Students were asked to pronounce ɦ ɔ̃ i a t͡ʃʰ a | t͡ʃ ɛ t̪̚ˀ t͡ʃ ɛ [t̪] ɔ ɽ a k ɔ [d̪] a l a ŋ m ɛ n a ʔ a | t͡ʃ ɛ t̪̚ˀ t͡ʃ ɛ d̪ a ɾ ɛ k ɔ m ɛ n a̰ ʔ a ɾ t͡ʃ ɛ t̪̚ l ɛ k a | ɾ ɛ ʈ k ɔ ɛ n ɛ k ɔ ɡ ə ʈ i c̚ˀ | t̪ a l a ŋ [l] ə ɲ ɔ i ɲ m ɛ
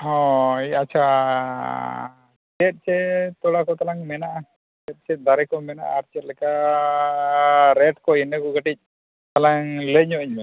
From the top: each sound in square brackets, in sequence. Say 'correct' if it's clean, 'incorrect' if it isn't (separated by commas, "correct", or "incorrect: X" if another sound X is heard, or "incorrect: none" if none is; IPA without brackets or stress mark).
correct, incorrect: t̪, correct